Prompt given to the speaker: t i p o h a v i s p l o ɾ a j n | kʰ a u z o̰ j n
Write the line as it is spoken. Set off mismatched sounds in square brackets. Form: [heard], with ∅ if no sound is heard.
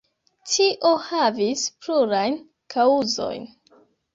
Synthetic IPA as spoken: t i [ʔ] o h a v i s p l [u] ɾ a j n | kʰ a u z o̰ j n